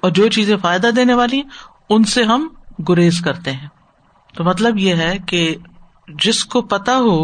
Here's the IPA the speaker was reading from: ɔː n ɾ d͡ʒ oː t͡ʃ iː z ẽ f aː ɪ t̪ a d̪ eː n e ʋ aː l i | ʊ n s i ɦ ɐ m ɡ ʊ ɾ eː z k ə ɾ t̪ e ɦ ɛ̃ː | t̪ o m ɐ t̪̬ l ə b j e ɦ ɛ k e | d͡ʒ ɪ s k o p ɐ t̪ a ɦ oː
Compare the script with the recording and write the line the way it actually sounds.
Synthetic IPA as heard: ɔː ɾ d͡ʒ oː t͡ʃ iː z ẽ f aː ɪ d̪ a d̪ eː n e ʋ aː l i | ʊ n s e ɦ ɐ m ɡ ʊ ɾ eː z k ɐ ɾ t̪ e ɦ ɛ̃ː | t̪ o m ɐ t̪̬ l ə b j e ɦ ɛ k e | d͡ʒ ɪ s k o p ɐ t̪ a ɦ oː